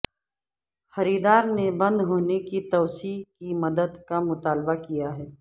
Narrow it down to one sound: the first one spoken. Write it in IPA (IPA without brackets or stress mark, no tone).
x